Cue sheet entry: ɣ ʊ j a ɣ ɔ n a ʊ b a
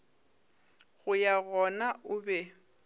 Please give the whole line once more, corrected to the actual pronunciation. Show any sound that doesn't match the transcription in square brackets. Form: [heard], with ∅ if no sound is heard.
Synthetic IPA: ɣ ʊ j a ɣ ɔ n a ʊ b [ɛ]

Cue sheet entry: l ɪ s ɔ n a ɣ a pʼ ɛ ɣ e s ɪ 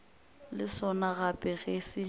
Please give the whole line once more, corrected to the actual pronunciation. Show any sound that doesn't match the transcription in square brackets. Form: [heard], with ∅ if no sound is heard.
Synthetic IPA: l ɪ s ɔ n a ɣ a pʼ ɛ ɣ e s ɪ

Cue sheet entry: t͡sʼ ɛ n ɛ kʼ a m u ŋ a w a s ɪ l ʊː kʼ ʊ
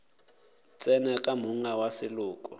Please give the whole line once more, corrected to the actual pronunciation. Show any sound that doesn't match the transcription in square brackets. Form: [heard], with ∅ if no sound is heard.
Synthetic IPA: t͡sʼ ɛ n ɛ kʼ a m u ŋ a w a s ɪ l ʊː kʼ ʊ

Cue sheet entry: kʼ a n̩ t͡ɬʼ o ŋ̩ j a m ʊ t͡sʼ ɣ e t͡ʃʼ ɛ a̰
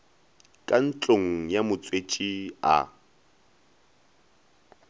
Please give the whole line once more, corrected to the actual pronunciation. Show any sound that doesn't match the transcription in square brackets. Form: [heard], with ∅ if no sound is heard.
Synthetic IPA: kʼ a n̩ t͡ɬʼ o ŋ̩ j a m ʊ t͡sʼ [w] e t͡ʃʼ [i] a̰

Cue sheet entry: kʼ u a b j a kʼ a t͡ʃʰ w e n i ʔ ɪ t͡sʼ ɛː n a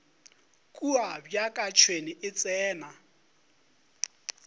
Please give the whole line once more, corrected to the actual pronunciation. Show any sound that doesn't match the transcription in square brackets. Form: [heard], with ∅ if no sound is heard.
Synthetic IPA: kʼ u a b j a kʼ a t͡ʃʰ w e n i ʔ ɪ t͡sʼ ɛː n a

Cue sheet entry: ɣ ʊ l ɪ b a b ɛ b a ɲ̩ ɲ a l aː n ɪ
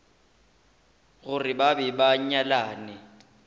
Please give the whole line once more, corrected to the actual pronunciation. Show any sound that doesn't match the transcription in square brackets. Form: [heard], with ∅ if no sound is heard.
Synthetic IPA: ɣ ʊ [r] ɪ b a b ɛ b a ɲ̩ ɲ a l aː n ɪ

